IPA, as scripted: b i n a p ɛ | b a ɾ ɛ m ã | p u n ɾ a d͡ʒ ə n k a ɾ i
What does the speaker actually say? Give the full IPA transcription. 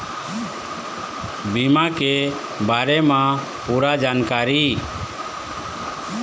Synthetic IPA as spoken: b i m a k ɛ | b a ɾ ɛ m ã | p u ɾ a d͡ʒ a n k a ɾ i